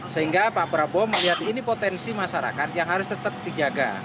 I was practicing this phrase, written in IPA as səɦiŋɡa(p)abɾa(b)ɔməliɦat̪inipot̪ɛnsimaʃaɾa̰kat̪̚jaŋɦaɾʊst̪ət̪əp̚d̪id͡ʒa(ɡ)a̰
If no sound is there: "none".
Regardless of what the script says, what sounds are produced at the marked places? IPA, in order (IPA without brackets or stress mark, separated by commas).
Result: p, b, ɡ